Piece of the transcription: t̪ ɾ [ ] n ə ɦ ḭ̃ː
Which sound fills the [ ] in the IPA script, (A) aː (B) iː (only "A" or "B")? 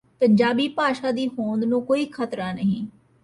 A